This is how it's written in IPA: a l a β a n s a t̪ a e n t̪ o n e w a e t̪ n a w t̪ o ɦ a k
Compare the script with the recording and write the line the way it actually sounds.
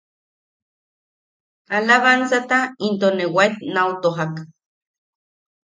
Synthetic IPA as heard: a l a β a n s a t̪ a i n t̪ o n e w a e t̪ n a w t̪ o ɦ a k